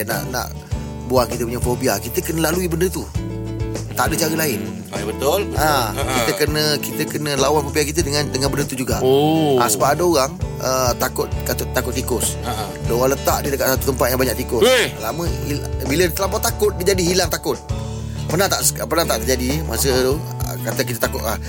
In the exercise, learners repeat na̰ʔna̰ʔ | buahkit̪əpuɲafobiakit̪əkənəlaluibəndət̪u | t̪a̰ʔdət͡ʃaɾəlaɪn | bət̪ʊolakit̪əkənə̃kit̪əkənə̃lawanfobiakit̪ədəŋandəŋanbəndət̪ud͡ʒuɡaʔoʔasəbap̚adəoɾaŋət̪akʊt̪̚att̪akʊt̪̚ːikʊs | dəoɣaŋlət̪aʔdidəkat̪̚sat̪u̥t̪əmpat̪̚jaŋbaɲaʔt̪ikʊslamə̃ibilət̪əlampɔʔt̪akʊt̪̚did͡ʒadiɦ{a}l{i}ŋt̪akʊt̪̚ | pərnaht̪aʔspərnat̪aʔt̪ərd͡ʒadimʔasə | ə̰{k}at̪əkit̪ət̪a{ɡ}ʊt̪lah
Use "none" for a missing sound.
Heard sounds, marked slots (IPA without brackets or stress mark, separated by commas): i, a, k, k